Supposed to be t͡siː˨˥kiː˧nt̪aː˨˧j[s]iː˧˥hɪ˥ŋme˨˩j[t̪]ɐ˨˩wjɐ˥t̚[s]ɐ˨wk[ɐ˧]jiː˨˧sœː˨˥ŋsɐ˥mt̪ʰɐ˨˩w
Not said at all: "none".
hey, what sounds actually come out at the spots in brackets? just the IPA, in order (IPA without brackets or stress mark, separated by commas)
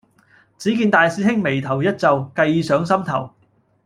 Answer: s, t̪ʰ, t͡s, ɐ˧